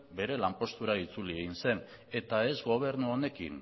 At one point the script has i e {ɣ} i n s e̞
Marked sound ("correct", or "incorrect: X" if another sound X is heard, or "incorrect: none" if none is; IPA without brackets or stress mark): correct